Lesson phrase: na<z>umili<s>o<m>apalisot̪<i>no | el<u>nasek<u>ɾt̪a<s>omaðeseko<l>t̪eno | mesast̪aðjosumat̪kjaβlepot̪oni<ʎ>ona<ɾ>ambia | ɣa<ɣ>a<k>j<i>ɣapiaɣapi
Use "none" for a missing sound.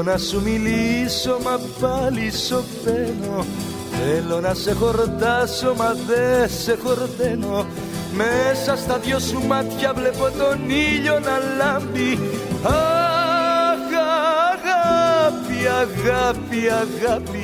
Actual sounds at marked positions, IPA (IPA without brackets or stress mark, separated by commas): s, s, m, e, o, o, s, ɾ, ʎ, l, ɣ, p, a